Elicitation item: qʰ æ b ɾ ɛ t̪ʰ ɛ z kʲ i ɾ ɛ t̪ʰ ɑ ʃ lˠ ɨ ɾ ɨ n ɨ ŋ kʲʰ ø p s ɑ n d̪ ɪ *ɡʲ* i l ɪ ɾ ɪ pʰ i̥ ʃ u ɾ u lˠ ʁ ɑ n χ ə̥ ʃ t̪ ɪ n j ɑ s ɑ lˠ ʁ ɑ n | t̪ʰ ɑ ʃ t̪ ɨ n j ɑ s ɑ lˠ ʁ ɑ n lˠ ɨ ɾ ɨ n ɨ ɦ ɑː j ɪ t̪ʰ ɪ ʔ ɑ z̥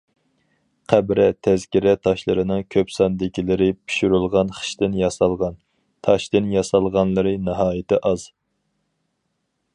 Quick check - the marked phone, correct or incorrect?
incorrect